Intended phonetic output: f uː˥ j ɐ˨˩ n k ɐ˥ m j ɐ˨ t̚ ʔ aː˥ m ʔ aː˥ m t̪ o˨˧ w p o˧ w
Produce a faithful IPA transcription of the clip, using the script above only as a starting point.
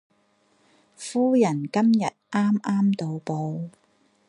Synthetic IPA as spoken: f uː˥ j ɐ˨˩ n k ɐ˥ m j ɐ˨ t̚ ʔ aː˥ m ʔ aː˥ m t̪ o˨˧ w p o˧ w